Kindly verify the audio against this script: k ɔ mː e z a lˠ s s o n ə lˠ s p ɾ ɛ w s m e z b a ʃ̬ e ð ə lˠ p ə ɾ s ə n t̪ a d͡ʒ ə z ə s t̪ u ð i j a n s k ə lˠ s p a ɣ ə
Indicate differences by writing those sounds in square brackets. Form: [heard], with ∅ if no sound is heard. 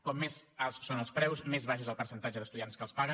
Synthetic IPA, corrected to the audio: k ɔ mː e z a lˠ s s o n ə lˠ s p ɾ ɛ w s m e z [β] a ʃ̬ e [z] ə lˠ p ə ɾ s ə n t̪ a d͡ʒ ə [ð] ə s t̪ u ð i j a n s k ə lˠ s p a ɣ ə